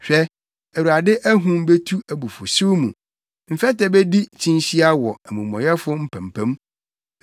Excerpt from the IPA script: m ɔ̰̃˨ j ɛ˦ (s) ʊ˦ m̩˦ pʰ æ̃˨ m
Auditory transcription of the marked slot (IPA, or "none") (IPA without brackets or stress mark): f